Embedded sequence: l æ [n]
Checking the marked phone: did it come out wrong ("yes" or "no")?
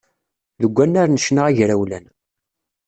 no